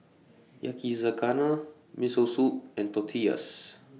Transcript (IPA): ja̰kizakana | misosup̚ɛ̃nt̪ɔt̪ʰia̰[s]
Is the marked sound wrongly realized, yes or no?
no